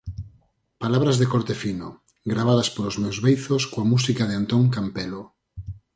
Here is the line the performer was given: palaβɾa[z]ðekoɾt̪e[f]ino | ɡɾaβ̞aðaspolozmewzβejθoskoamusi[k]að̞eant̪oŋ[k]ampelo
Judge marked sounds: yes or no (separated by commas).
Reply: yes, yes, yes, yes